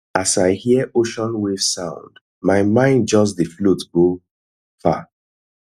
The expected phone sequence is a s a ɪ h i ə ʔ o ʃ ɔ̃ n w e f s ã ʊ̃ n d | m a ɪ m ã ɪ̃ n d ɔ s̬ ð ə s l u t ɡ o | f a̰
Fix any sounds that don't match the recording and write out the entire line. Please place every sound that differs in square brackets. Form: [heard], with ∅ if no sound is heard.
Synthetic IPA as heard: a s a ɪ h i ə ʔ o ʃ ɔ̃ n w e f s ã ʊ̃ n d | m a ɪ m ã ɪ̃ n [d͡ʒ] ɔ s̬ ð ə [f] l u t ɡ o | f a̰